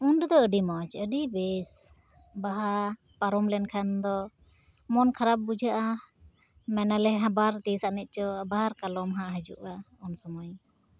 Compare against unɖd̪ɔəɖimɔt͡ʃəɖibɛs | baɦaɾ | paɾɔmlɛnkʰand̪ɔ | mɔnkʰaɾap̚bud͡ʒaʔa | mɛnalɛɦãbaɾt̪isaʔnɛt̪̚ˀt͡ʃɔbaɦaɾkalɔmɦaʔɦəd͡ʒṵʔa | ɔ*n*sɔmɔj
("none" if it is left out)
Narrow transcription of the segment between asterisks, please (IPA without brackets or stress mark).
n